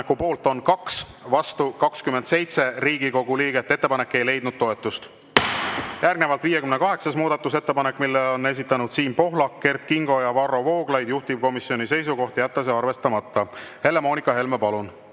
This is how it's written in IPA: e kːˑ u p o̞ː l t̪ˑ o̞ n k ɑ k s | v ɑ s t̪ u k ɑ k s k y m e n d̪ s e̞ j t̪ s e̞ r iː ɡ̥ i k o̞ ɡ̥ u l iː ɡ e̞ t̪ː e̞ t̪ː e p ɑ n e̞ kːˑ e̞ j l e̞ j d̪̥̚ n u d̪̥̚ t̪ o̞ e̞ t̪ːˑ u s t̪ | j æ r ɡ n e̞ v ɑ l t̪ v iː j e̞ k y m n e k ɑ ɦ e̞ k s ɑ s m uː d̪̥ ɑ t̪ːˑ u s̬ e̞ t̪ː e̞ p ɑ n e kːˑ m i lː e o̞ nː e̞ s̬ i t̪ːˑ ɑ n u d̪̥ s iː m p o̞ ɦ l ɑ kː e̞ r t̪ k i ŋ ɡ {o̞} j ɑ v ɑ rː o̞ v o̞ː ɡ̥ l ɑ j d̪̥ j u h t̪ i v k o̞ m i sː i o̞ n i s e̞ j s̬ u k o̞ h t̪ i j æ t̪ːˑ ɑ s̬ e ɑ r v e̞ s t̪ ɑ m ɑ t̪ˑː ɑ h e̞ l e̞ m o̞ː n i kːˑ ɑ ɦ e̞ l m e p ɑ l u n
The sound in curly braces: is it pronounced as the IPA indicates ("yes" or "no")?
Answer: yes